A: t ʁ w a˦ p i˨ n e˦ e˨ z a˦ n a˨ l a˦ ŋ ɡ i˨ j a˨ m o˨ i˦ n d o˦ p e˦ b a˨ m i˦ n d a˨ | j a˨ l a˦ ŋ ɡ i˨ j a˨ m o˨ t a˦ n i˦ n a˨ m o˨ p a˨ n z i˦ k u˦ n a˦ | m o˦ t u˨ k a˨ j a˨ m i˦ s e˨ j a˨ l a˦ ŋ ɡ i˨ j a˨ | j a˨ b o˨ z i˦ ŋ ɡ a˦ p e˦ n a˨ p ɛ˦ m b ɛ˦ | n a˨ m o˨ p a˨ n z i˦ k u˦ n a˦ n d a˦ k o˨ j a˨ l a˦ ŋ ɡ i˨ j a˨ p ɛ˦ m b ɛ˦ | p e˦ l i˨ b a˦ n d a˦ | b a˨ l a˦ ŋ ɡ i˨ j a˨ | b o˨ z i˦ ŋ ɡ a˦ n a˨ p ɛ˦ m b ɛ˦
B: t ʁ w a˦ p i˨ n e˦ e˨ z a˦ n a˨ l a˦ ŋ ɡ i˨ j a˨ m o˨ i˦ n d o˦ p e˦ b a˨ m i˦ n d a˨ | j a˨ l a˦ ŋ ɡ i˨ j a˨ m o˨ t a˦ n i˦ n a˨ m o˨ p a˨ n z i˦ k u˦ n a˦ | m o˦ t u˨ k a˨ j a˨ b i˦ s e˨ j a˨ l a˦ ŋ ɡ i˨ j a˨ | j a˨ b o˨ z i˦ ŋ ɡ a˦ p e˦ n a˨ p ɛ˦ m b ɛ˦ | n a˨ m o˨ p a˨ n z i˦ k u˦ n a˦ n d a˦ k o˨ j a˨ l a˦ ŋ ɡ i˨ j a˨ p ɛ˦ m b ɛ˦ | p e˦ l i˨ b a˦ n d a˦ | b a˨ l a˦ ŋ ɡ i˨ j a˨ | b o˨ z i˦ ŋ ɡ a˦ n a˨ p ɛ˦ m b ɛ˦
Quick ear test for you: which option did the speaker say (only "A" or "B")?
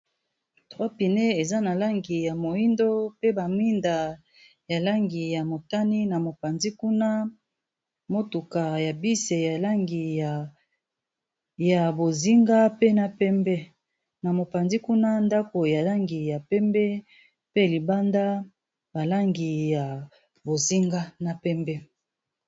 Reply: B